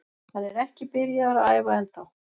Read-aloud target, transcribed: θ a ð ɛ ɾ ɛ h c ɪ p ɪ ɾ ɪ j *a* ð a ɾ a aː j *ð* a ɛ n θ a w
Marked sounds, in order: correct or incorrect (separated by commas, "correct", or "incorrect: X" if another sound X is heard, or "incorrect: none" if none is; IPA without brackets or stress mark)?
correct, incorrect: v